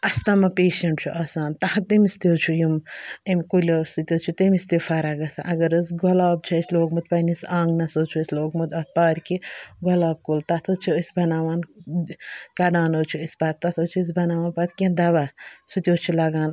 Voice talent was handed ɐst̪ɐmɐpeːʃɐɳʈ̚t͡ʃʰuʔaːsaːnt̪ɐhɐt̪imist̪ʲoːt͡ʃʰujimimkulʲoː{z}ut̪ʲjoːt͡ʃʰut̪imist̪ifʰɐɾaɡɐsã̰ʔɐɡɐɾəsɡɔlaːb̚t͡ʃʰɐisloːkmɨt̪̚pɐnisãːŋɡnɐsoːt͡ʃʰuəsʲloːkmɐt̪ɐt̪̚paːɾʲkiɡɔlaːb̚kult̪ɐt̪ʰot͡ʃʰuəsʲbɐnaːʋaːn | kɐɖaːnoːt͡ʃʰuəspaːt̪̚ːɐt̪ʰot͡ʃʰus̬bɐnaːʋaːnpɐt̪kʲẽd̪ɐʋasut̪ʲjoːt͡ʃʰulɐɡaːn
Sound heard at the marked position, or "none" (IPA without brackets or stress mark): s